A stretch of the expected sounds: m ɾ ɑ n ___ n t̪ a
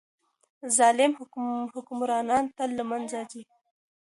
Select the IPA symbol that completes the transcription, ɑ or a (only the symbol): ɑ